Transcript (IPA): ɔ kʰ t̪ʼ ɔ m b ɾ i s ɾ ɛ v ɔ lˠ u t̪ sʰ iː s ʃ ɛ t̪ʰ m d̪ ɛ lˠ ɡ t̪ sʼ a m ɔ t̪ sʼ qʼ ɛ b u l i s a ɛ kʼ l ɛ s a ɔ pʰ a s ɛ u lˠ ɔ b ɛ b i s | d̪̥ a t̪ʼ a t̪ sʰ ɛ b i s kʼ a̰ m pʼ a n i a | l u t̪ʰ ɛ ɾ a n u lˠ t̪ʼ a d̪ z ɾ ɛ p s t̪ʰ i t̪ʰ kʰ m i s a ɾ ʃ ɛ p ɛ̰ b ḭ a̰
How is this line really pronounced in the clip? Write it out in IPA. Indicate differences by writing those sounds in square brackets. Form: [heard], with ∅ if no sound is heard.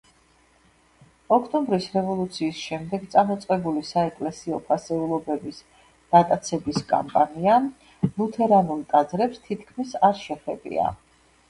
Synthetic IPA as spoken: ɔ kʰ t̪ʼ ɔ m b ɾ i s ɾ ɛ v ɔ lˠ u t̪ sʰ iː s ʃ ɛ [∅] m d̪ ɛ [∅] ɡ t̪ sʼ a m ɔ t̪ sʼ qʼ ɛ b u l i s a ɛ kʼ l ɛ s [i] ɔ pʰ a s ɛ u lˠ ɔ b ɛ b i s | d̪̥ a t̪ʼ a t̪ sʰ ɛ b i s kʼ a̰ m pʼ a n i a | l u t̪ʰ ɛ ɾ a n u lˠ t̪ʼ a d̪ z ɾ ɛ p s t̪ʰ i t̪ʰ kʰ m i s a ɾ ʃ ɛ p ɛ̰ b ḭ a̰